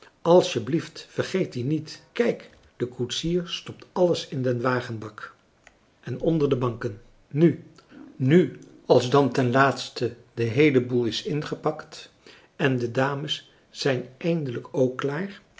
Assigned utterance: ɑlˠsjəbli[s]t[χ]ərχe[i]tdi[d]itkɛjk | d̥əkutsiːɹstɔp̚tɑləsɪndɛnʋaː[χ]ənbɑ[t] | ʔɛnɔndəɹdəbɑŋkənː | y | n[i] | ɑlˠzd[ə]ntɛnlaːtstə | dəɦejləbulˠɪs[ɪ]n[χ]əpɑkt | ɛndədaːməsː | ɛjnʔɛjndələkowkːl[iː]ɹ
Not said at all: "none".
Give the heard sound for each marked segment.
f, f, j, n, χ, k, y, ɑ, ɪ, χ, aː

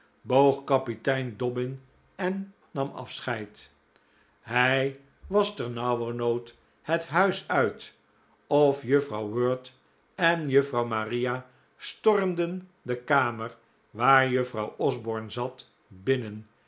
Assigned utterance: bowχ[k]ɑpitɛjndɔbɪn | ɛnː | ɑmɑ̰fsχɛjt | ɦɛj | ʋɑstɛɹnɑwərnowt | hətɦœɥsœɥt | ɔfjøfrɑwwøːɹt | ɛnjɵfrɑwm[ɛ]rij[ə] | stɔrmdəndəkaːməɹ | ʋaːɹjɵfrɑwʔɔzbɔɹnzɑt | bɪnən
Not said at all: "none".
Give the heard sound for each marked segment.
k, a, a

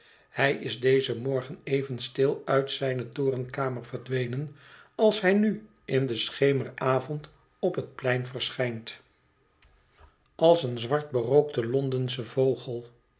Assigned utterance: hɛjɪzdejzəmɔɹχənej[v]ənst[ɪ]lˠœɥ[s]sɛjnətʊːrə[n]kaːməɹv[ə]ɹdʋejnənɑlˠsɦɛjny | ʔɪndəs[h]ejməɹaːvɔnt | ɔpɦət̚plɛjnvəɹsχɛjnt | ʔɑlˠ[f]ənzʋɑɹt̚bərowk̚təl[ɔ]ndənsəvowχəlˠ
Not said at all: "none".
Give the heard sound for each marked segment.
v, ɪ, t, n, ə, χ, s, ɔ

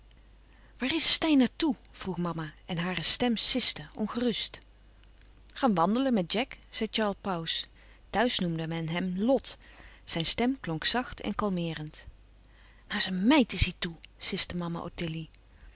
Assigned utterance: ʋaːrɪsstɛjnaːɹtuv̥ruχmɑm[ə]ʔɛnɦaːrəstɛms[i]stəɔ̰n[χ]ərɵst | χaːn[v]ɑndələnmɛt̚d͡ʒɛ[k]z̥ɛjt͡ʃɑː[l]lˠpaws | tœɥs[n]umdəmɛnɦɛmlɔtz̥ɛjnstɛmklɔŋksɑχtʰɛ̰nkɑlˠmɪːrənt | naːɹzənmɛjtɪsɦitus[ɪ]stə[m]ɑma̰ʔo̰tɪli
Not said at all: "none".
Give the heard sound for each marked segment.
a, ɪ, χ, ʋ, k, ɹ, n, ɪ, m

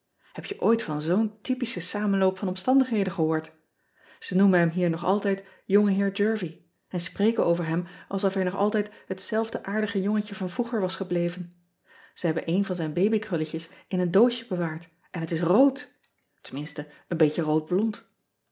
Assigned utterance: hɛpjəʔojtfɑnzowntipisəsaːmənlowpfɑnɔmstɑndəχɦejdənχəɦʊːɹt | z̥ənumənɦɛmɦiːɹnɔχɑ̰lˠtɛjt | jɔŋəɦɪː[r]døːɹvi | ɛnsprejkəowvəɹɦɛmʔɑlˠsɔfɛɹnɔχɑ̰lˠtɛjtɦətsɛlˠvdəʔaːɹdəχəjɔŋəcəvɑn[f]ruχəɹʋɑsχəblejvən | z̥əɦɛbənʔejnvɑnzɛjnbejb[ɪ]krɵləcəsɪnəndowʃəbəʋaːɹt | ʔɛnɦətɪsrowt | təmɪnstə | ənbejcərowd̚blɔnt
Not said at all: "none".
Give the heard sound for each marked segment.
ɹ, v, i

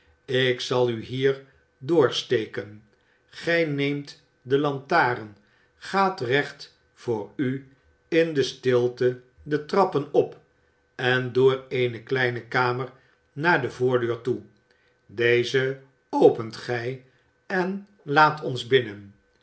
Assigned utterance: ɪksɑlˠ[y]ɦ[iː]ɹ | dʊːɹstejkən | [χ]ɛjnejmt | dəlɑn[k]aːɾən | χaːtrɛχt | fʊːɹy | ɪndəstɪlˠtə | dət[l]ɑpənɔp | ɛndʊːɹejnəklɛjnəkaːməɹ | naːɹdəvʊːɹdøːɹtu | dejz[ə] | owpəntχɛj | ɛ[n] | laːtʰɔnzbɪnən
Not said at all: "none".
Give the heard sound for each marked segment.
y, iː, χ, t, r, ə, n

